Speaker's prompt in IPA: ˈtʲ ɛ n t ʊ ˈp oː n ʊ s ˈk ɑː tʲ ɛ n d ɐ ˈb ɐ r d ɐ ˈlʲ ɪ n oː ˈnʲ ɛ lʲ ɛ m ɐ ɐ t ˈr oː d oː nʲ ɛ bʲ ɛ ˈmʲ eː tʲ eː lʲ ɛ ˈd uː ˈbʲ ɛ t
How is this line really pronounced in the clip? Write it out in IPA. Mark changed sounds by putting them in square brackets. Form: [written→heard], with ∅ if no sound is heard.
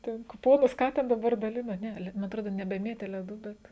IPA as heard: ˈtʲ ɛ n [t→k] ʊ ˈp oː n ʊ s ˈk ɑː tʲ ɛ n d ɐ ˈb ɐ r d ɐ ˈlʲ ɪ n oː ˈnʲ ɛ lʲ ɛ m ɐ ɐ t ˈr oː d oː nʲ ɛ bʲ ɛ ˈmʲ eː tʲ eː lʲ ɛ ˈd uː ˈbʲ ɛ t